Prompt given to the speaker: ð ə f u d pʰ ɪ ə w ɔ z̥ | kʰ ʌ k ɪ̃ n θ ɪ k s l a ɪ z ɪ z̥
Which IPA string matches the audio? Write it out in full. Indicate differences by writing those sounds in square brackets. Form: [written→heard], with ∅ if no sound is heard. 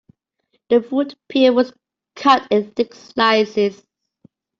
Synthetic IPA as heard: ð ə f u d pʰ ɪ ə w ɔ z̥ | kʰ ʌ [k→t] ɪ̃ n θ ɪ k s l a ɪ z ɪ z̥